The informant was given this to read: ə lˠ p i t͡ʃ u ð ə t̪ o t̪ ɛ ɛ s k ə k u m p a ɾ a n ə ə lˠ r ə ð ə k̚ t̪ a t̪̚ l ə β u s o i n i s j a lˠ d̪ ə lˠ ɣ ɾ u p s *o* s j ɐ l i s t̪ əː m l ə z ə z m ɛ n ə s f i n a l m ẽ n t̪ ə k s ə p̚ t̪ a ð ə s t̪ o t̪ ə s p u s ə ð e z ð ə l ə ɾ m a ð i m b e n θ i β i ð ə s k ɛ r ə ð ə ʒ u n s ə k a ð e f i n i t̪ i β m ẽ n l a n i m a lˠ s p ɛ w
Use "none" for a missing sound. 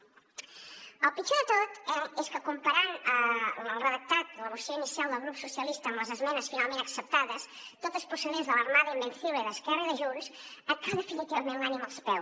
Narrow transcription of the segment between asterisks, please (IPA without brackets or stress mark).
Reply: u